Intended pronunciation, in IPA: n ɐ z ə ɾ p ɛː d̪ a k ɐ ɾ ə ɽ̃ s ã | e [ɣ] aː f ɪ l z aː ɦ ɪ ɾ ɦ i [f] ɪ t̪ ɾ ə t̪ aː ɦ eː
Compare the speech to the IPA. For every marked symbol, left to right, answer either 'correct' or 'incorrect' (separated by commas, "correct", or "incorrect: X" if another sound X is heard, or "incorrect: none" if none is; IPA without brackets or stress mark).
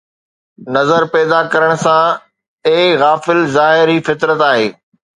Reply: correct, correct